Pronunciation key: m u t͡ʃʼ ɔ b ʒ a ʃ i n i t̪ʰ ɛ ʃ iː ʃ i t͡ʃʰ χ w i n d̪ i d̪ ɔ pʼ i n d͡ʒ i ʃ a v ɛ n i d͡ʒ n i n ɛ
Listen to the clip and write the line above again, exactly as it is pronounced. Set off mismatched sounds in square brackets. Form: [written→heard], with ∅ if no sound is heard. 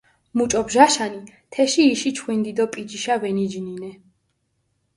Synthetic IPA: m u t͡ʃʼ ɔ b ʒ a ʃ [i→a] n i t̪ʰ ɛ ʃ iː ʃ i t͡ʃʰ χ w i n d̪ i d̪ ɔ pʼ i [n→∅] d͡ʒ i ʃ a v ɛ n i d͡ʒ n i n ɛ

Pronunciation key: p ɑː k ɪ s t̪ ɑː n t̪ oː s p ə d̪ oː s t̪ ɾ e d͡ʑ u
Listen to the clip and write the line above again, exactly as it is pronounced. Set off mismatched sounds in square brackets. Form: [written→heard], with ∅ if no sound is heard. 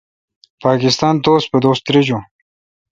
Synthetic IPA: p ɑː k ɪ s t̪ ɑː n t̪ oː s p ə d̪ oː s t̪ ɾ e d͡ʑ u

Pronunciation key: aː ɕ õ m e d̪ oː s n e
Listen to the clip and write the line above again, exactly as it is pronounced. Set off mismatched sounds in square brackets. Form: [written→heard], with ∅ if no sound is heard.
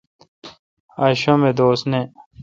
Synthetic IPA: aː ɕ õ m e d̪ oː s n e

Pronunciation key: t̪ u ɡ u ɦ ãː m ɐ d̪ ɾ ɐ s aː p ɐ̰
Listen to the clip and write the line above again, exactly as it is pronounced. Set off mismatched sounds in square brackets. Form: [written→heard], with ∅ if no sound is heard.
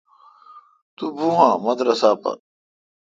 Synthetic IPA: t̪ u [ɡ→b] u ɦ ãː m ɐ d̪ ɾ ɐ s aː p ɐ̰

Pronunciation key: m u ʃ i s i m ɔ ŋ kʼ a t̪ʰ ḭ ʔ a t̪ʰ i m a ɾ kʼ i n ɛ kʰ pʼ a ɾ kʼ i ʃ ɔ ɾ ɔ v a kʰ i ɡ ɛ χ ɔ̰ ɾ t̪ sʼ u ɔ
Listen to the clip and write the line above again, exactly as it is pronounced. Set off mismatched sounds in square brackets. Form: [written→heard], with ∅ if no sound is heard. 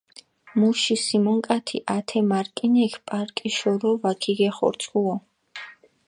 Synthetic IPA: m u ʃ i s i m ɔ ŋ kʼ a t̪ʰ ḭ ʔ a t̪ʰ [i→ɛ] m a ɾ kʼ i n ɛ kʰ pʼ a ɾ kʼ i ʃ ɔ ɾ ɔ v a kʰ i ɡ ɛ χ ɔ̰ ɾ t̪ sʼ u ɔ

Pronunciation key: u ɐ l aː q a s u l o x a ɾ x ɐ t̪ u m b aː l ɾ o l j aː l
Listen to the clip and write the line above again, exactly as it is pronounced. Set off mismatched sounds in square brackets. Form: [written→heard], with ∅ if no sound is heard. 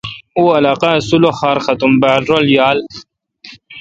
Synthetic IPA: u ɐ l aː q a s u l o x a ɾ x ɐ t̪ u m b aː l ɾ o l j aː l

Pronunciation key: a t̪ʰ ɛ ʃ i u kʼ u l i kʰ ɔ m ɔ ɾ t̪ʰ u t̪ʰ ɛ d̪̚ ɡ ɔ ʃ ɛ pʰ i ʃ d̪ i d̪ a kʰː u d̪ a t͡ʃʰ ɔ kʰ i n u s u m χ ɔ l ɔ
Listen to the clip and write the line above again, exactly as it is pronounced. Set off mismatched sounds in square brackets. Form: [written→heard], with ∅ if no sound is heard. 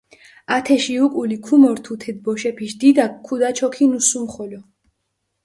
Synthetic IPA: a t̪ʰ ɛ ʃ i u kʼ u l i kʰ [ɔ→u] m ɔ ɾ t̪ʰ u t̪ʰ ɛ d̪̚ [ɡ→b] ɔ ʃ ɛ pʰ i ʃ d̪ i d̪ a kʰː u d̪ a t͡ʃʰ ɔ kʰ i n u s u m χ ɔ l ɔ

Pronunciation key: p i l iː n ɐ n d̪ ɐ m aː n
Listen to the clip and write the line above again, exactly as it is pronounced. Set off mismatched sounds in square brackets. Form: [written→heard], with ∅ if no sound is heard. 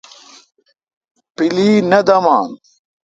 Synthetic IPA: p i l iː n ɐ [n→∅] d̪ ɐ m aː n

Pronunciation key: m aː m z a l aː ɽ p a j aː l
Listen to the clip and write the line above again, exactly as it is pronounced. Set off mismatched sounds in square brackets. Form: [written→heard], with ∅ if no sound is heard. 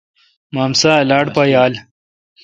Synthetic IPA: m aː m [z→s] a l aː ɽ p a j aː l

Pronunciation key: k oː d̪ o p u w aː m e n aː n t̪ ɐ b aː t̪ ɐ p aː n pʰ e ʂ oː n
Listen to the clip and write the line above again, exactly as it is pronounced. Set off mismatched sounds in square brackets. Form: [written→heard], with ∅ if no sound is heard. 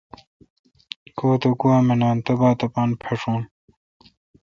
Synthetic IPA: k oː [d̪→t̪] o [p→k] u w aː m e n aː n t̪ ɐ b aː t̪ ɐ p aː n pʰ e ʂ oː n

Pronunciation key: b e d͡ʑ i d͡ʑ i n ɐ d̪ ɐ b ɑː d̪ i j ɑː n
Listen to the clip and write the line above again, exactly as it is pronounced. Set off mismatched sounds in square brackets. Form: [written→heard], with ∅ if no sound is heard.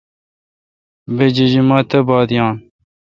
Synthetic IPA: b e d͡ʑ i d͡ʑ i [n→m] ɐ [d̪→t̪] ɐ b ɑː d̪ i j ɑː n

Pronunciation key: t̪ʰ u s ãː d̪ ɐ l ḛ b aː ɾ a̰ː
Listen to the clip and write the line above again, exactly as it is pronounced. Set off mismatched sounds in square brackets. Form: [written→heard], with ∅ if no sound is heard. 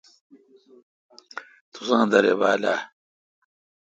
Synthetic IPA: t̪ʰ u s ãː d̪ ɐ [l→ɾ] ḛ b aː [ɾ→l] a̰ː

